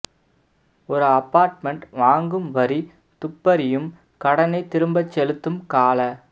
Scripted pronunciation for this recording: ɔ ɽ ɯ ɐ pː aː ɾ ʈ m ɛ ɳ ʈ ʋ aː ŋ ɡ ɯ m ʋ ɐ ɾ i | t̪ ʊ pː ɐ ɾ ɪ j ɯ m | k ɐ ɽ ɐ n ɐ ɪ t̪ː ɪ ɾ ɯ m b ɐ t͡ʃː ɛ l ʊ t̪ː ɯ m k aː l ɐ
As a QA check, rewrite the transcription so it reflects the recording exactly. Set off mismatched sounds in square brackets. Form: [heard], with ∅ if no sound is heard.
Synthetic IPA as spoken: ɔ [ɾ] ɯ ɐ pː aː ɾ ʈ m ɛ ɳ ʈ ʋ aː ŋ ɡ ɯ m ʋ ɐ ɾ i | t̪ ʊ pː ɐ ɾ ɪ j ɯ m | k ɐ ɽ ɐ n ɐ ɪ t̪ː ɪ ɾ ɯ m b ɐ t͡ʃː ɛ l [ɯ] t̪ː ɯ m k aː l ɐ